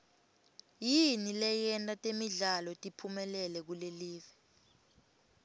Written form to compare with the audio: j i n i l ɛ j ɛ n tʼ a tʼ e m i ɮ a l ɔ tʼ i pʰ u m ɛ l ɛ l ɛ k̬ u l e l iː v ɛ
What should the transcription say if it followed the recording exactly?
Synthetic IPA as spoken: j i n i l ɛ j ɛ n tʼ a tʼ e m i ɮ a l ɔ tʼ i pʰ u m ɛ l ɛ l ɛ k̬ u l e l iː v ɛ